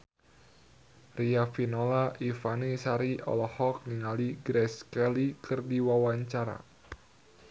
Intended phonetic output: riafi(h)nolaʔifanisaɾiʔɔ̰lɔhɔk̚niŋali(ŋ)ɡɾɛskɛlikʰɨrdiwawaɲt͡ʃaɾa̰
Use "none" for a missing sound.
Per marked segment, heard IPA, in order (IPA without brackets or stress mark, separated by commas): none, none